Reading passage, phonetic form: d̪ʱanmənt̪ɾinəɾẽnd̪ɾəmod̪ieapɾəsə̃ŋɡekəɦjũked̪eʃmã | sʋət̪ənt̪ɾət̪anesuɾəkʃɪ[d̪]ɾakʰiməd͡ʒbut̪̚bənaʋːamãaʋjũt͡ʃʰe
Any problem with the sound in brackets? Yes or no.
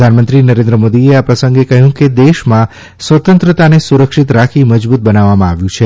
yes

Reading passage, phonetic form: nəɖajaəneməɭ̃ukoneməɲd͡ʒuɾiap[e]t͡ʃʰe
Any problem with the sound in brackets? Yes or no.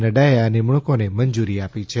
yes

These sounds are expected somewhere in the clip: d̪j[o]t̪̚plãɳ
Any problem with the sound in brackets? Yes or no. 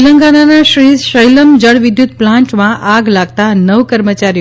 yes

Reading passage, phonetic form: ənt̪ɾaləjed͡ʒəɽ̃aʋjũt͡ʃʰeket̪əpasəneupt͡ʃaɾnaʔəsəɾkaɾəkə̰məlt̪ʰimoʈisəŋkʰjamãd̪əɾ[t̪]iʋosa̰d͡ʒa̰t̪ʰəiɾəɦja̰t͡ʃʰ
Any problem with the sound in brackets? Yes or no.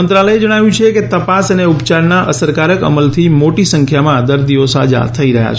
yes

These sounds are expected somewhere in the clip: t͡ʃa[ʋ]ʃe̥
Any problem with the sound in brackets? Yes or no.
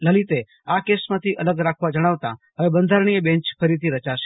yes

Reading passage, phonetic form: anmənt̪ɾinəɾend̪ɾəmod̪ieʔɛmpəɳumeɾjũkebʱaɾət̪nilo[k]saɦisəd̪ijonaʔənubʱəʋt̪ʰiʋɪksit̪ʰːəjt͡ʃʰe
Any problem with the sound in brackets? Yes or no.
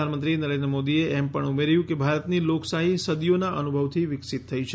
no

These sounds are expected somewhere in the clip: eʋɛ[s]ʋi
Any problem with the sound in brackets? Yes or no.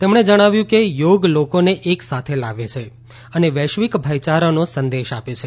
yes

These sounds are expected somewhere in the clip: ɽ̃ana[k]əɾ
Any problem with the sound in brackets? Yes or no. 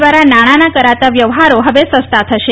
no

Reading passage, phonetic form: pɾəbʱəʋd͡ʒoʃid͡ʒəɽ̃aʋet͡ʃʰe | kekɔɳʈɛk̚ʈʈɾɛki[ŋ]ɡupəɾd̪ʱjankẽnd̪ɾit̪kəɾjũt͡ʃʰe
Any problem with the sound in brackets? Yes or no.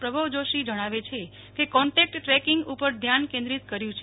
no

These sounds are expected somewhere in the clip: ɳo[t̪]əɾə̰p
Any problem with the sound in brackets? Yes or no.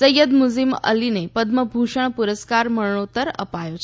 no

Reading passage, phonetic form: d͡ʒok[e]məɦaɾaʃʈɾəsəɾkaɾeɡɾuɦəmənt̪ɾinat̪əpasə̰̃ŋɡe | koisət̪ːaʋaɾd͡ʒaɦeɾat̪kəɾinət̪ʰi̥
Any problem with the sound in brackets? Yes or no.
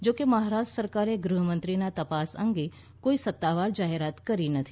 no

